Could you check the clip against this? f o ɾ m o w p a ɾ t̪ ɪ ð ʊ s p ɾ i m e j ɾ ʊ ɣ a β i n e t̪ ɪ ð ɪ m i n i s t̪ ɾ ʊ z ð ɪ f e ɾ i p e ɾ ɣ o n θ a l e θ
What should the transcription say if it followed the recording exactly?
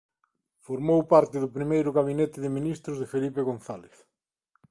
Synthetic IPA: f o ɾ m o w p a ɾ t̪ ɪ ð ʊ p ɾ i m e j ɾ ʊ ɣ a β i n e t̪ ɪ ð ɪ m i n i s t̪ ɾ ʊ z ð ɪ f e l i p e ɣ o n θ a l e θ